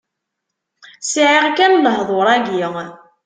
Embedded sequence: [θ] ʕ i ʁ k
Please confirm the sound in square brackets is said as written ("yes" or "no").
no